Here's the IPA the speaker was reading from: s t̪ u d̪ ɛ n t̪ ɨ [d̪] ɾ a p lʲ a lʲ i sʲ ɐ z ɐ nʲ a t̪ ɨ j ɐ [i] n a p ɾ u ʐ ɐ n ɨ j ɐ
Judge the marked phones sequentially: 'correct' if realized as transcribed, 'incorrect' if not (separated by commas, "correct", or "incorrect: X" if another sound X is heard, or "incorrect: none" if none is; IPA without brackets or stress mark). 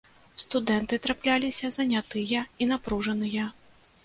incorrect: t̪, correct